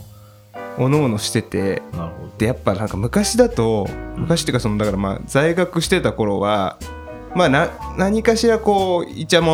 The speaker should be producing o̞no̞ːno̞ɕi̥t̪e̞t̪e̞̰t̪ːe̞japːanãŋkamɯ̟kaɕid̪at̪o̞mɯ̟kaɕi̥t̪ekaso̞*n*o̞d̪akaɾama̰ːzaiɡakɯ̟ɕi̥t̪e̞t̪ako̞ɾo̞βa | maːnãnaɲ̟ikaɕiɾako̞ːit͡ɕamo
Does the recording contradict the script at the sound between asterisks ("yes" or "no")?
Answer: no